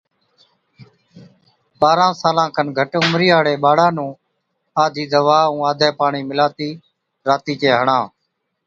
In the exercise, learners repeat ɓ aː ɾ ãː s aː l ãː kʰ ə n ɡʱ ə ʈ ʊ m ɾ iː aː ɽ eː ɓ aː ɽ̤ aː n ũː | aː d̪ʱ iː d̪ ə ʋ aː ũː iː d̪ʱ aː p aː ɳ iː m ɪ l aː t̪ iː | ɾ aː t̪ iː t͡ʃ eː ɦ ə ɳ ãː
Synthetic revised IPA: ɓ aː ɾ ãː s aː l ãː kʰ ə n ɡʱ ə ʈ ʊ m ɾ iː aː ɽ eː ɓ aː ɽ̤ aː n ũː | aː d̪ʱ iː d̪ ə ʋ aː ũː aː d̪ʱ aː p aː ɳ iː m ɪ l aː t̪ iː | ɾ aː t̪ iː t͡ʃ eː ɦ ə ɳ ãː